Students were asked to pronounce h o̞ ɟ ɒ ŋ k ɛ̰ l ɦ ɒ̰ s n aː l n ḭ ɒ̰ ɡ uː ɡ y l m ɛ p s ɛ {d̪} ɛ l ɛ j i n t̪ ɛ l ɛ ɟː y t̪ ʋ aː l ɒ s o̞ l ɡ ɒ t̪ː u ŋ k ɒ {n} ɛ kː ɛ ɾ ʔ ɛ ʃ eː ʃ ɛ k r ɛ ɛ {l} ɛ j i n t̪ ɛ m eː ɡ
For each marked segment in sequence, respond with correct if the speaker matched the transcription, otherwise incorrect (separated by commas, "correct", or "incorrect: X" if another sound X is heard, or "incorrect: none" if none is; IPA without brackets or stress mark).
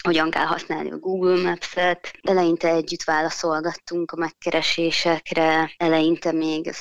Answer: incorrect: t̪, incorrect: m, correct